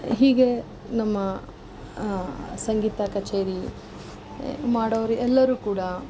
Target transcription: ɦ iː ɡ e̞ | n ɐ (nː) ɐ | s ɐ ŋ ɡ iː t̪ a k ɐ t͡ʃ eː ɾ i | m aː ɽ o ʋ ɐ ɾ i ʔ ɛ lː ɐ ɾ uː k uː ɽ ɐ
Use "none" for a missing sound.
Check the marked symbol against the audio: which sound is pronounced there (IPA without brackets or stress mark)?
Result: mː